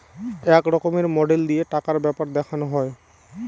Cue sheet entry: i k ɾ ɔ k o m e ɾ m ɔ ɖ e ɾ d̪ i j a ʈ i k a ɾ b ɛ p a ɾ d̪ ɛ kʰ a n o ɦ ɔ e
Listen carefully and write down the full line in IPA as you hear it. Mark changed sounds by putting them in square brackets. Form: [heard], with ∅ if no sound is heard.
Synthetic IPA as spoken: [ɛ] k ɾ ɔ k o m e ɾ m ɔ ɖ e [l] d̪ i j [e] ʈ [a] k a ɾ b ɛ p a ɾ d̪ ɛ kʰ a n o ɦ ɔ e